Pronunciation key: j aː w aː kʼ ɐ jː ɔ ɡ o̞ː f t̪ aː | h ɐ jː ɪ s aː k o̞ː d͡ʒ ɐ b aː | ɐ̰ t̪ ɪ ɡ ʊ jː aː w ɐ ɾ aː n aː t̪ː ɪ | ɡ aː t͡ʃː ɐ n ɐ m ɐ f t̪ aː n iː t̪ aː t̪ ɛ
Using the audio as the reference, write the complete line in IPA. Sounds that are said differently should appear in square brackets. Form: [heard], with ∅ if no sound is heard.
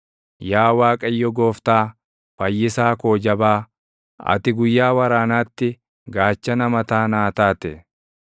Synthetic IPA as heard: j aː w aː kʼ ɐ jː ɔ ɡ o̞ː f t̪ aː | [f] ɐ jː ɪ s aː k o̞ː d͡ʒ ɐ b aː | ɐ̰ t̪ ɪ ɡ ʊ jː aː w ɐ ɾ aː n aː t̪ː ɪ | ɡ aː t͡ʃː ɐ n ɐ m ɐ [∅] t̪ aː n [aː] t̪ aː t̪ ɛ